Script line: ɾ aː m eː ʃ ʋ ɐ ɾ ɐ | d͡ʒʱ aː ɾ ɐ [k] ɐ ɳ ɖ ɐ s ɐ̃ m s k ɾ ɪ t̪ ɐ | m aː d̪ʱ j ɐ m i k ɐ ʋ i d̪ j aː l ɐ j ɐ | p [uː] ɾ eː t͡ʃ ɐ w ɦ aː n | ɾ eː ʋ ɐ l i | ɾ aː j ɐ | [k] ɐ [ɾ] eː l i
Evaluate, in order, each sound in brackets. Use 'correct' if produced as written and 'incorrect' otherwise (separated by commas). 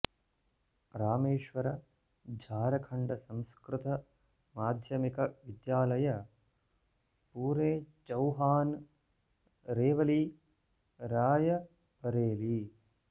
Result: incorrect, correct, incorrect, correct